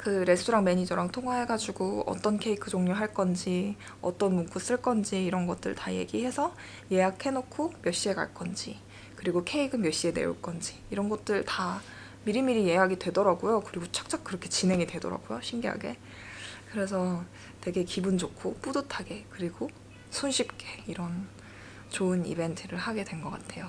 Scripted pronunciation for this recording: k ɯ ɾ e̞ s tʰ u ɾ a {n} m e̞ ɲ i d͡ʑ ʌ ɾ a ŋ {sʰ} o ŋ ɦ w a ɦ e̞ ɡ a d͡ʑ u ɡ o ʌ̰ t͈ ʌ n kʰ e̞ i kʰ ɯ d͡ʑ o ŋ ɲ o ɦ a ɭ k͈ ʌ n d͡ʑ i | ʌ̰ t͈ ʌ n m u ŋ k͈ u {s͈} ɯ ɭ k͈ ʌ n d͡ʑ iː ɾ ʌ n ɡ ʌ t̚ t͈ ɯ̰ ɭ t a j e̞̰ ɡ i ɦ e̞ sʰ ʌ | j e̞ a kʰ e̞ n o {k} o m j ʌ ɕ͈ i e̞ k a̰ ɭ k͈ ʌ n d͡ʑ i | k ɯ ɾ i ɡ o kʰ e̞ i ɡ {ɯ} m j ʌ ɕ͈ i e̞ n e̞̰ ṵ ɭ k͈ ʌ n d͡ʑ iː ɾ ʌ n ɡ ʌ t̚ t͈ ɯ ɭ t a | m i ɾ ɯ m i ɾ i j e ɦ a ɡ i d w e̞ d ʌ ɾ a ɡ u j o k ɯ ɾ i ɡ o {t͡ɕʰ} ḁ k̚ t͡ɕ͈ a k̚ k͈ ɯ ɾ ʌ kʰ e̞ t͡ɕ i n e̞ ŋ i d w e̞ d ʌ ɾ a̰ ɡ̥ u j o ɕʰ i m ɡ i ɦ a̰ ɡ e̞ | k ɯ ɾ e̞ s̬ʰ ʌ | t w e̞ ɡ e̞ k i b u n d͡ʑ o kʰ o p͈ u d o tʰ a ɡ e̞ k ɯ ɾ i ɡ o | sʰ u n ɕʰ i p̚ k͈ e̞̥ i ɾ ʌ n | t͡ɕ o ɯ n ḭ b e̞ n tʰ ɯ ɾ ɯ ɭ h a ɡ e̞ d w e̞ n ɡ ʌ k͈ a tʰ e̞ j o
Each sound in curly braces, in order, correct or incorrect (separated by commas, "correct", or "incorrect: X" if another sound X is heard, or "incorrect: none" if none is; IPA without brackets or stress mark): incorrect: ŋ, incorrect: tʰ, correct, incorrect: kʰ, correct, correct